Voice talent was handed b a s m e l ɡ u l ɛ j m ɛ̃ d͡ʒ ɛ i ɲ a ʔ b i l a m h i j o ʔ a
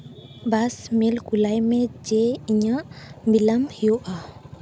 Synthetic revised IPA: b a s m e l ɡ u l a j m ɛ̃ d͡ʒ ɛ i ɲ a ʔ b i l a m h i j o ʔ a